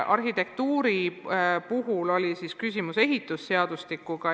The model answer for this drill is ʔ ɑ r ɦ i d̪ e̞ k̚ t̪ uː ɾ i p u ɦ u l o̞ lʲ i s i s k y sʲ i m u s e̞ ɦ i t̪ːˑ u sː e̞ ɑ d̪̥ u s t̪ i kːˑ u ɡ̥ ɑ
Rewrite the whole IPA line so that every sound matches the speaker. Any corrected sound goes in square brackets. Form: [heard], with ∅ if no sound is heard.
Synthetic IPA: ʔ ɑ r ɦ i [t̪] e̞ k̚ t̪ uː ɾ i p u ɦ u l o̞ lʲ i s i s k y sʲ i m u s e̞ ɦ i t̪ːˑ u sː e̞ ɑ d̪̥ u s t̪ i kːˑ u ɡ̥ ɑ